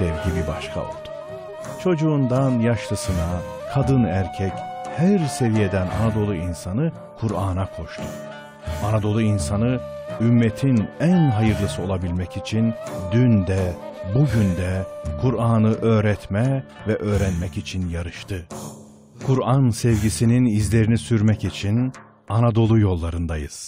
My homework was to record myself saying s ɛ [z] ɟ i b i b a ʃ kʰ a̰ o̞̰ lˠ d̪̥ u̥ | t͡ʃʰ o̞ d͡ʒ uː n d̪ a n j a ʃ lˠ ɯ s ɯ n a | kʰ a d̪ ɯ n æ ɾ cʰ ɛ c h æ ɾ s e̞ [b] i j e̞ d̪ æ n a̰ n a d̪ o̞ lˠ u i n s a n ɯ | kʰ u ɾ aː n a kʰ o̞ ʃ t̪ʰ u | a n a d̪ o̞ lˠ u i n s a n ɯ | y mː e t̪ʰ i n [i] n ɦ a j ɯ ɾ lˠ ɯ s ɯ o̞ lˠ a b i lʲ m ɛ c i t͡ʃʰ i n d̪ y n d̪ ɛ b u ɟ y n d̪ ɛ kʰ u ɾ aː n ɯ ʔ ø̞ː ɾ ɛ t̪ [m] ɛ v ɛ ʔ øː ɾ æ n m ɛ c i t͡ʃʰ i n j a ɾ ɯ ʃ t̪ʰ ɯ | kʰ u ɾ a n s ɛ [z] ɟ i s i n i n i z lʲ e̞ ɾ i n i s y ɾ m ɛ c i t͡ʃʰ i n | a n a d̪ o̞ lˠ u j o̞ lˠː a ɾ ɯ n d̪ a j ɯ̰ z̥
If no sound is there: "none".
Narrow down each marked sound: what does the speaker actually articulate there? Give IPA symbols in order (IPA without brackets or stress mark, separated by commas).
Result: v, v, æ, m, v